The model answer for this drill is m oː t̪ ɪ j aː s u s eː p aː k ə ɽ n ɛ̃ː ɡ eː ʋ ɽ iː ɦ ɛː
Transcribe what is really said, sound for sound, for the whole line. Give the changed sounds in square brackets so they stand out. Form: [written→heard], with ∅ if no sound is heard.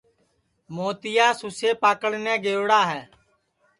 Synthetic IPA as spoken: m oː t̪ ɪ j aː s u s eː p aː k ə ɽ n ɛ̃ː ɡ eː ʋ ɽ [iː→aː] ɦ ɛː